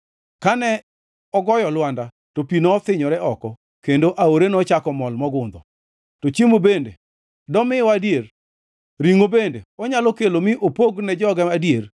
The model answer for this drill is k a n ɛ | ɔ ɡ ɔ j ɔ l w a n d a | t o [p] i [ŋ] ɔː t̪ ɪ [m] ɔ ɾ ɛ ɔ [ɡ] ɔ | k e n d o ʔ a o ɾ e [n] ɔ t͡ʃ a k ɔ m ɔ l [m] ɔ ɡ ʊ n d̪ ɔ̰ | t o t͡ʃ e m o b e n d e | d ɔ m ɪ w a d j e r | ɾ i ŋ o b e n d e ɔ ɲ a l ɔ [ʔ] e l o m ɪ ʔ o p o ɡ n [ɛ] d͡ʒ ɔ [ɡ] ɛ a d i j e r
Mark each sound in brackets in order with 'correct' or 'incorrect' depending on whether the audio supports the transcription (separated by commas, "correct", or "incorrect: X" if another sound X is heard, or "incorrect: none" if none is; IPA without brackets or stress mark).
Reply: correct, incorrect: n, incorrect: ɲ, incorrect: k, correct, correct, incorrect: k, correct, correct